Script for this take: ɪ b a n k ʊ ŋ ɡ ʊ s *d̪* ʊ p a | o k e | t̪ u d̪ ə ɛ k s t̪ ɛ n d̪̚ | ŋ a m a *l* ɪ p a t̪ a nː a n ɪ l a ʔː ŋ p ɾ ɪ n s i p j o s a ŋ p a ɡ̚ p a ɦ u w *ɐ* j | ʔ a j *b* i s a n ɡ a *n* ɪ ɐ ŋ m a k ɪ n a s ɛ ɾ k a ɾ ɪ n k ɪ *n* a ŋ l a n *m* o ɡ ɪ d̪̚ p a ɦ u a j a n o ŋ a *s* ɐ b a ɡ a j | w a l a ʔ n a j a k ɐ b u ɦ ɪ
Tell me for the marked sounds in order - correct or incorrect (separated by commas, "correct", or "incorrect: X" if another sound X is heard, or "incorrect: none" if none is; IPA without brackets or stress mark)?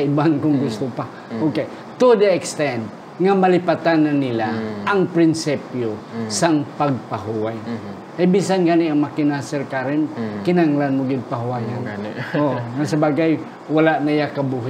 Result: incorrect: t̪, correct, incorrect: a, correct, correct, correct, correct, correct